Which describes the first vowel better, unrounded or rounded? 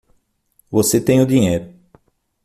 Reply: rounded